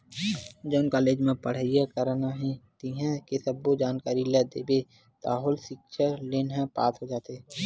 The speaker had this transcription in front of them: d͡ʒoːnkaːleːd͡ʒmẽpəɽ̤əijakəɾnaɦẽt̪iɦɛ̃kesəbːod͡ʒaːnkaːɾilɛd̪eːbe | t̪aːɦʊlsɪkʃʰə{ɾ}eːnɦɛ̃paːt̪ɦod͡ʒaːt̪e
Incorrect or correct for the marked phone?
incorrect: l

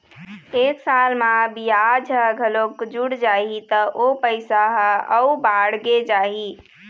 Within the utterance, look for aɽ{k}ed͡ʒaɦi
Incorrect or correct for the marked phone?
incorrect: ɡ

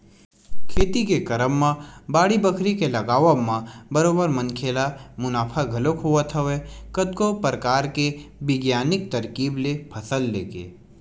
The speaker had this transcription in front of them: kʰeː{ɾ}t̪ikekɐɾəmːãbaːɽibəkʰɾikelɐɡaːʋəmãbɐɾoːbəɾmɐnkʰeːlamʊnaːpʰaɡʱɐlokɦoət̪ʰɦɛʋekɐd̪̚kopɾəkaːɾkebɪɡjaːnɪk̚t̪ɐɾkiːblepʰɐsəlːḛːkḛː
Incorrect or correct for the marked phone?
incorrect: none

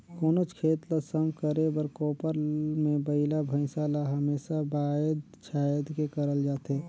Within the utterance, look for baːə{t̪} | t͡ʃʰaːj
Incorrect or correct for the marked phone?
incorrect: d̪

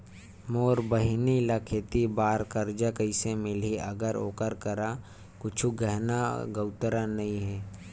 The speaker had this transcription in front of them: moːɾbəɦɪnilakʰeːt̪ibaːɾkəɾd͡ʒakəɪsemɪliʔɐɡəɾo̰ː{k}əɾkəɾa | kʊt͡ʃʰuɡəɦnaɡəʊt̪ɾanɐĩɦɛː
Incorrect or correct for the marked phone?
correct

